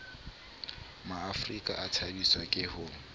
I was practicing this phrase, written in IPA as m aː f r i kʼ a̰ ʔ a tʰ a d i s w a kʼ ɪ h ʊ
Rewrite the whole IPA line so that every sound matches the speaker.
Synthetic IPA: m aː f r i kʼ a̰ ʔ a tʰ a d i s w a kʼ ɪ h ʊ